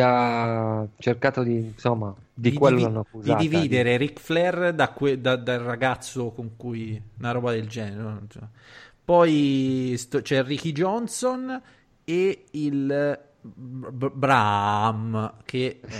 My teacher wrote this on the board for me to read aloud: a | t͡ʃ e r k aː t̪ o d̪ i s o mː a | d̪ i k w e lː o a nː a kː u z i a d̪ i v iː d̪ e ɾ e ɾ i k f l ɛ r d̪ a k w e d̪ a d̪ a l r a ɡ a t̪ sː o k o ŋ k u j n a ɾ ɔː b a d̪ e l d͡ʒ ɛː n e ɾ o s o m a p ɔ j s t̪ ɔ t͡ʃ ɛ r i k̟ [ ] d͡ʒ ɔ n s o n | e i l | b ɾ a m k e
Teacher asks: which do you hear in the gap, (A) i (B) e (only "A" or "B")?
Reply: A